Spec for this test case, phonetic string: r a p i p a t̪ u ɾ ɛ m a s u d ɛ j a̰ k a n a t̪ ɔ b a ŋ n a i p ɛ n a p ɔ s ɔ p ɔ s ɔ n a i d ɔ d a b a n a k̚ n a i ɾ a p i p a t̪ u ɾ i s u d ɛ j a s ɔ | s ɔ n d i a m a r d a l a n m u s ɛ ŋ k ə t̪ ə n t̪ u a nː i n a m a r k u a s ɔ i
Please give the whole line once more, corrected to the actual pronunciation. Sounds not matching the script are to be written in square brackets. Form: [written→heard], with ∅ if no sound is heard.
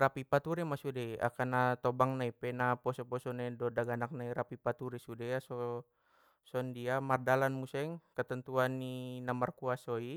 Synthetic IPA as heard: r a p i p a t̪ u ɾ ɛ m a s u d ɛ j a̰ k a n a t̪ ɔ b a ŋ n a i p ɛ n a p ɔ s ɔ p ɔ s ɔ n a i d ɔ d a [b→ɡ] a n a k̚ n a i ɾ a p i p a t̪ u ɾ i s u d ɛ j a s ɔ | s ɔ n d i a m a r d a l a n m u s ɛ ŋ k ə t̪ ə n t̪ u a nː i n a m a r k u a s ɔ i